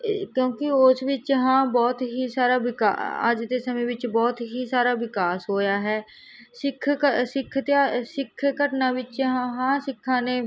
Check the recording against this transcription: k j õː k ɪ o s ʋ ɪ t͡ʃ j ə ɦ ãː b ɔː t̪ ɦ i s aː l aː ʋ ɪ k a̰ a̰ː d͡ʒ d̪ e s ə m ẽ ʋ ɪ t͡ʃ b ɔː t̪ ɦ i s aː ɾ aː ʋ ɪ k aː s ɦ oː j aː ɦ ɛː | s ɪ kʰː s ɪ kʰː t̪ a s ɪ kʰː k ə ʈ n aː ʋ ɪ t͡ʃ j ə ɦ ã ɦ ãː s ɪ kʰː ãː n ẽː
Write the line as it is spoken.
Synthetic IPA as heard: k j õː k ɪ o s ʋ ɪ t͡ʃ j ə ɦ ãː b ɔː t̪ ɦ i s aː ɾ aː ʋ ɪ k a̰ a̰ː d͡ʒ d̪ e s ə m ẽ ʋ ɪ t͡ʃ b ɔː t̪ ɦ i s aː ɾ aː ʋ ɪ k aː s ɦ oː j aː ɦ ɛː | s ɪ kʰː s ɪ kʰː t̪ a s ɪ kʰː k ə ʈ n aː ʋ ɪ t͡ʃ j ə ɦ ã ɦ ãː s ɪ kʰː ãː n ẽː